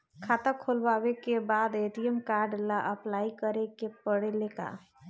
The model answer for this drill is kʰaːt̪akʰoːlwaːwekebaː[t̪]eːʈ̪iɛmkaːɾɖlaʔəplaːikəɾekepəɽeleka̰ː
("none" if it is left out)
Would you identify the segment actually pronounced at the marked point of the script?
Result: d̪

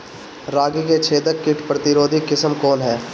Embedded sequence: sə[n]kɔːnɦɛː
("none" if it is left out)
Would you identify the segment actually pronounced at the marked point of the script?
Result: m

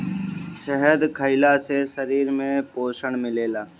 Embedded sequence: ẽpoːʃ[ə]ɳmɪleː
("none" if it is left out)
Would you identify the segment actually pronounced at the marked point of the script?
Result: ə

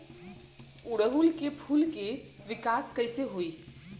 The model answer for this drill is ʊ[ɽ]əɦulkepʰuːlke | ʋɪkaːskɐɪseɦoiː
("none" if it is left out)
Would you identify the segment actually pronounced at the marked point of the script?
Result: ɽ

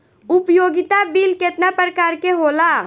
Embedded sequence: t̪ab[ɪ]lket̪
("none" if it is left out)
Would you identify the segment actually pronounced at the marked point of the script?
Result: i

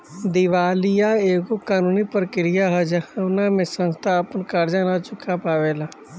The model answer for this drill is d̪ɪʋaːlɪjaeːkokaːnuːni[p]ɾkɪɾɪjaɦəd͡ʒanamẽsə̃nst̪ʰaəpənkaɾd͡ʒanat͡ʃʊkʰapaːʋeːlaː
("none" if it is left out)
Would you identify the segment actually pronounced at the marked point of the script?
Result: p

